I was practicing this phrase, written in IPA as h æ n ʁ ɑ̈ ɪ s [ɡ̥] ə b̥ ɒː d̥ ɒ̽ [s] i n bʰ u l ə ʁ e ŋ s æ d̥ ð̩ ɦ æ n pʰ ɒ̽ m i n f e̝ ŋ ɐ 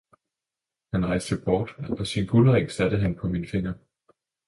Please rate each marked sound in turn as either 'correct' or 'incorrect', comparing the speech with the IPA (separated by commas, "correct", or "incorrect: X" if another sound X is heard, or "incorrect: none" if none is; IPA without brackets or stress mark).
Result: incorrect: d̥, correct